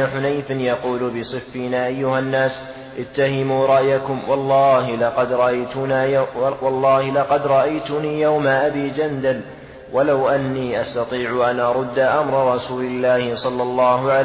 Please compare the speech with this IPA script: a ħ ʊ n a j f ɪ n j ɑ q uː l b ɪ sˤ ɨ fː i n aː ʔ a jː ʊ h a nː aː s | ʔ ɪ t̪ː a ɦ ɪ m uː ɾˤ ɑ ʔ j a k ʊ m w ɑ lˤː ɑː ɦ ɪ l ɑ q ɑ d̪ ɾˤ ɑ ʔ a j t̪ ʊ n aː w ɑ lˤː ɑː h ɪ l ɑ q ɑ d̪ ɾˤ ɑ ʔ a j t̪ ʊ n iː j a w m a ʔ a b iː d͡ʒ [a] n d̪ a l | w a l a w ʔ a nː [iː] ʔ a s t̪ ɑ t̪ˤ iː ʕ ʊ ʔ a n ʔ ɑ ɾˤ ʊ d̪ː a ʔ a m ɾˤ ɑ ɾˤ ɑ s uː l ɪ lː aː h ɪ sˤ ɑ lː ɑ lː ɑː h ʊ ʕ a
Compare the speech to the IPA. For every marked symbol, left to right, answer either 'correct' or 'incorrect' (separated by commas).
correct, correct